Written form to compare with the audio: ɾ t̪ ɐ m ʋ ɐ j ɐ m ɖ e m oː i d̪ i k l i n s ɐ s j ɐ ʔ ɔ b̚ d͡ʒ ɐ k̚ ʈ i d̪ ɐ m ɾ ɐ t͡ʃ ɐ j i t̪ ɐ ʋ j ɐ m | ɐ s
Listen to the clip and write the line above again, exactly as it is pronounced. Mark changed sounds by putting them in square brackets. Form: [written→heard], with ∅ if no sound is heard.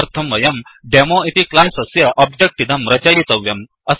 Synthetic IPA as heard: ɾ [t̪→t̪ʰ] ɐ m ʋ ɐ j ɐ m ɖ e m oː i [d̪→t̪] i k l [i→a] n s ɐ s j ɐ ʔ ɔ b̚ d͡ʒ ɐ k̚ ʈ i d̪ ɐ m ɾ ɐ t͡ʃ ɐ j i t̪ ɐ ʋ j ɐ m | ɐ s